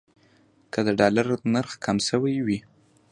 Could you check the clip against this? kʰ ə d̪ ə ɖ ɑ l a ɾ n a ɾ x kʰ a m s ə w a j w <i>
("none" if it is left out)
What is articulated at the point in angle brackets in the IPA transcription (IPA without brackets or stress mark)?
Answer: i